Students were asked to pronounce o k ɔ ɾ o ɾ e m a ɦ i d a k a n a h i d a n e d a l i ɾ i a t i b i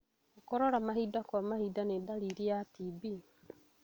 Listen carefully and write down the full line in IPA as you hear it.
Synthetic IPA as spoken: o k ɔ ɾ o ɾ a m a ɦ i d a k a m a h i d a n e d a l i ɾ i a t i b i

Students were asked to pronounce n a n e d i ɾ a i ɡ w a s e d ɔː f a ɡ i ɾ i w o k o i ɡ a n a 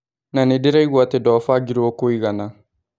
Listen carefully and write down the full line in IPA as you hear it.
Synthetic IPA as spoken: n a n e d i ɾ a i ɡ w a t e d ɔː f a ɡ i ɾ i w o k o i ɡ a n a

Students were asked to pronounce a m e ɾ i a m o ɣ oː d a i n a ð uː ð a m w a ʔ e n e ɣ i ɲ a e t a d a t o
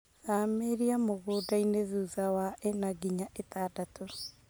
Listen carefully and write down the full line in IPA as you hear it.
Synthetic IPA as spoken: a m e ɾ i a m o ɣ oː d a i n e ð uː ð a w a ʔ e n a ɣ i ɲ a e t a d a t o

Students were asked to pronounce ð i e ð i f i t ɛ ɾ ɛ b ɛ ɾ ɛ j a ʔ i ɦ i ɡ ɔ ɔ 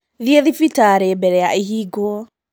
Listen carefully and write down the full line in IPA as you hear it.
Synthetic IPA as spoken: ð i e ð i f i t a ɾ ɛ b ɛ ɾ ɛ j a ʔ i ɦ i ɡ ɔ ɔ

